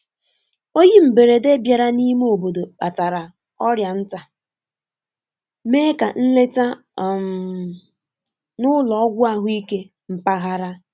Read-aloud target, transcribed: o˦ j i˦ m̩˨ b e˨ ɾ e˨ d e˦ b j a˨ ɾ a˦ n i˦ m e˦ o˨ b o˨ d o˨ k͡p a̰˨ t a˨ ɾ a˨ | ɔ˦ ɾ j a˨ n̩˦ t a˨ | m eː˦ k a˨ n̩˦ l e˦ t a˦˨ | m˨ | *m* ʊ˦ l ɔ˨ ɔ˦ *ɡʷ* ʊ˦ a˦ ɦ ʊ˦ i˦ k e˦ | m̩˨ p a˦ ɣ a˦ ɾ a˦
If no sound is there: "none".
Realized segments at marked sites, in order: n, ɡʷ

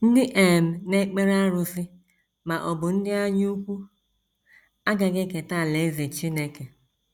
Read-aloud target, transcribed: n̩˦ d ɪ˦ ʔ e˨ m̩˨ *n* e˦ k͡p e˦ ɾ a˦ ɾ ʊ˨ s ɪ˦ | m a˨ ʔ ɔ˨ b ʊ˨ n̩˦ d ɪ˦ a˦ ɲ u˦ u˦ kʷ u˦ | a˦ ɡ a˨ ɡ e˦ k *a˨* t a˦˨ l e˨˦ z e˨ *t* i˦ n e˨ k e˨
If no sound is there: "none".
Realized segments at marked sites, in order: n, e˨, t͡ʃ

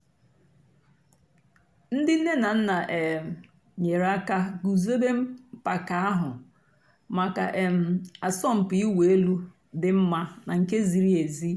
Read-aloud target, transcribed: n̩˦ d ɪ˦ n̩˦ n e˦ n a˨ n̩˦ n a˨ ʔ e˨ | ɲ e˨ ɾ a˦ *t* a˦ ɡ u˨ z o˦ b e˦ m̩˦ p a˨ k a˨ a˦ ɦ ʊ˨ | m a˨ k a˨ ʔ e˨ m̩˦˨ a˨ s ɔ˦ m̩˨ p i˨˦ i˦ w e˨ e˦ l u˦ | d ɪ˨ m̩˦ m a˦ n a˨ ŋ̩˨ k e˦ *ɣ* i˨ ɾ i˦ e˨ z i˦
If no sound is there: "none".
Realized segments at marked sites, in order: k, z

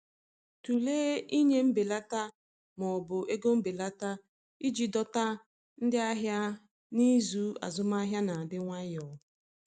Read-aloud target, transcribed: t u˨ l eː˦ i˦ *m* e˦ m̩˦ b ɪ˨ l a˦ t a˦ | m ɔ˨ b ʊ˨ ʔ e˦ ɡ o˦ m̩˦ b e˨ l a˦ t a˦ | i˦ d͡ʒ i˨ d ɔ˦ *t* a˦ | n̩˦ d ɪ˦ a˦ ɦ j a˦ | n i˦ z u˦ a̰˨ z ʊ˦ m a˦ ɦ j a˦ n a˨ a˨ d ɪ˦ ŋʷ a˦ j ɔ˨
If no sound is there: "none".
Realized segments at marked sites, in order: ɲ, t

